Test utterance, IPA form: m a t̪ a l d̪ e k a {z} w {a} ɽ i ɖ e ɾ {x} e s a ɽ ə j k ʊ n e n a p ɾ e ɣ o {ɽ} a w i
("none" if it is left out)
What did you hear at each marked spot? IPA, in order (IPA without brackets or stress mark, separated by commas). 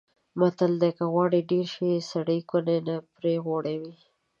ɣ, ɑ, ʃ, ɽ